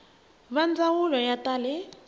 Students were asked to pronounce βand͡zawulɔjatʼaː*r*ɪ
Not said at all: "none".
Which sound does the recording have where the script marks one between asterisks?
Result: l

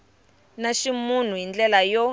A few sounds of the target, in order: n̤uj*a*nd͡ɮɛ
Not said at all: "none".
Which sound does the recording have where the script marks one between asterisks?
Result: i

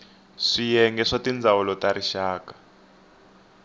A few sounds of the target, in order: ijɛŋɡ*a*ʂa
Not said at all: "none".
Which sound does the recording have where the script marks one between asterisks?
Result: ɛ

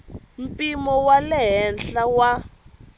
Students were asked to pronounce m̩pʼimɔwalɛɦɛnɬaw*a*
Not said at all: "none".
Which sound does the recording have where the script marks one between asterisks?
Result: a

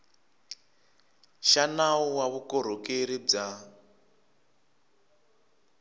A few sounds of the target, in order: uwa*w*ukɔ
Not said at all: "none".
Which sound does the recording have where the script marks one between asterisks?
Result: β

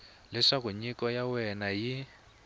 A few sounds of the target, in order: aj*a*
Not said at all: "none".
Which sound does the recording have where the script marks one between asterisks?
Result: i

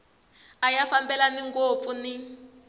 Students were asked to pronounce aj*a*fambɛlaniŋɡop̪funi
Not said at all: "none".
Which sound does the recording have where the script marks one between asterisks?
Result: a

